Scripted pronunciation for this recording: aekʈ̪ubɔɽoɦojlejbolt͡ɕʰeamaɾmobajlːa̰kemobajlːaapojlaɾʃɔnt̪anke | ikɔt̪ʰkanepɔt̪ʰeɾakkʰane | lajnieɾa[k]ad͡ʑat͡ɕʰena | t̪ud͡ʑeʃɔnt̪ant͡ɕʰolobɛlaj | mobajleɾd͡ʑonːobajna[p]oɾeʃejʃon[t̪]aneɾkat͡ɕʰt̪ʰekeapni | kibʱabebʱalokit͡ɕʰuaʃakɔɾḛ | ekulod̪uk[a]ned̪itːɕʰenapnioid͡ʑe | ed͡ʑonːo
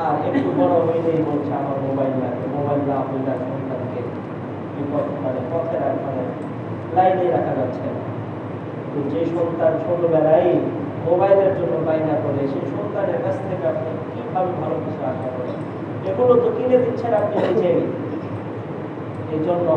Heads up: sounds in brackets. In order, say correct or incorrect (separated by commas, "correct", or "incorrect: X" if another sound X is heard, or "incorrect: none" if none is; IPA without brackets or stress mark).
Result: incorrect: kʰ, incorrect: k, correct, incorrect: i